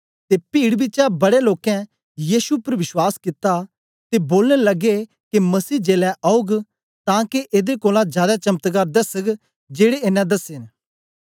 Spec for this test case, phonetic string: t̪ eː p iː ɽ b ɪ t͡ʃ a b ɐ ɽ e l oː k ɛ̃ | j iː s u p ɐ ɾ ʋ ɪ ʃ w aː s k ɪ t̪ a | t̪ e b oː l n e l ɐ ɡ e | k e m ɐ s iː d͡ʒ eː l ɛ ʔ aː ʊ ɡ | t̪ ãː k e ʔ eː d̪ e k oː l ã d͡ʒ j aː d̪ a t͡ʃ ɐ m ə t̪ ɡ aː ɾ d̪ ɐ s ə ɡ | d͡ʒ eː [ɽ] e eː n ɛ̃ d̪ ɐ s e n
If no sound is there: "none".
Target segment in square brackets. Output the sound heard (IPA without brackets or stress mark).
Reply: ɽ